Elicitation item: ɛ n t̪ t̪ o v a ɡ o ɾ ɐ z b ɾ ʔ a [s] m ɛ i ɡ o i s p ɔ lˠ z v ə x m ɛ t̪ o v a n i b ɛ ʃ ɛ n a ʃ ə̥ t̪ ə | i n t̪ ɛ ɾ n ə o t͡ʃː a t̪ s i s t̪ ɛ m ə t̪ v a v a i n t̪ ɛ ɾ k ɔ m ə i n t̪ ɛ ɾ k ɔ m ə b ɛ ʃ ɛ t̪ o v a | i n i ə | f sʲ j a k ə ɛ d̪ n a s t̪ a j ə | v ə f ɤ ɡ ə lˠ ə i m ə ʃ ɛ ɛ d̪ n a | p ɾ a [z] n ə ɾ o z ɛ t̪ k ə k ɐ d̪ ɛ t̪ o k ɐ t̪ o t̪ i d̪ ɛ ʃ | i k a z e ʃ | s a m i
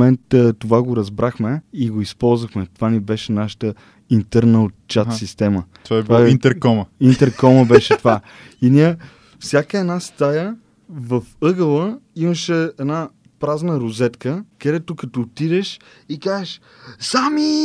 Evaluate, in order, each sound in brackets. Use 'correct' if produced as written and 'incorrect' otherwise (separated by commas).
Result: incorrect, correct